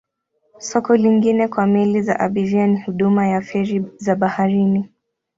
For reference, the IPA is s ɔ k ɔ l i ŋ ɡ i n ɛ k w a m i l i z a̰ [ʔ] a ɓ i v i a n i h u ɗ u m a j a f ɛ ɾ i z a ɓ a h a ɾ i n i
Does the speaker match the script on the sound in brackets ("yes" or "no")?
yes